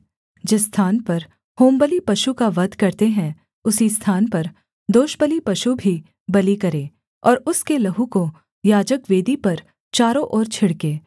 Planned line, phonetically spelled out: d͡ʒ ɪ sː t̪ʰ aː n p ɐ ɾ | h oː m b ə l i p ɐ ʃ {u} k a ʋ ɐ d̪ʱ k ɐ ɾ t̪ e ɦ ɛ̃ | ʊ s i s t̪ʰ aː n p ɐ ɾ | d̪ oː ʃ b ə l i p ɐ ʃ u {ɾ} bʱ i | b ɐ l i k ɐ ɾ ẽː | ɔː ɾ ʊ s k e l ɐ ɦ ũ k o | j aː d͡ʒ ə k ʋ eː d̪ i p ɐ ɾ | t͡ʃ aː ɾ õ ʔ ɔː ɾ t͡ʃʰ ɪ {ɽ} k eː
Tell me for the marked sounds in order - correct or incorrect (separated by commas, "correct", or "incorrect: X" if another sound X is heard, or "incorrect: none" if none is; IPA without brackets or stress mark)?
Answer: correct, incorrect: none, correct